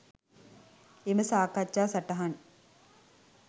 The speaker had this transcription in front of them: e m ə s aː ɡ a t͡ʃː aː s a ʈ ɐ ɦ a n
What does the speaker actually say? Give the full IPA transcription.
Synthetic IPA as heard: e m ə s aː k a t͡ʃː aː s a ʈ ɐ ɦ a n